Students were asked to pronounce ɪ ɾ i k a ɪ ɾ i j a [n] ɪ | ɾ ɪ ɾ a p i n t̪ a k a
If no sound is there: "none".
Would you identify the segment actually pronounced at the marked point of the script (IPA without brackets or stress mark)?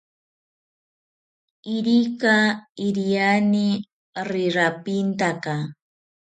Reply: n